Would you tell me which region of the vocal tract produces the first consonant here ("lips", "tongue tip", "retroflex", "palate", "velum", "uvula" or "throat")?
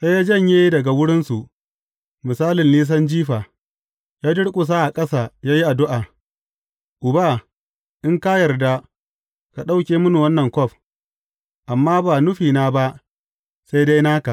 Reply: tongue tip